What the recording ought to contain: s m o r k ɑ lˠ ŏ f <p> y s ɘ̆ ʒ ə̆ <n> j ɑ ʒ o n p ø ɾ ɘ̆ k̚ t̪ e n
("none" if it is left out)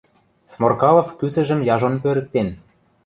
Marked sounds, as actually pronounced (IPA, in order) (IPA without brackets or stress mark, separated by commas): k, m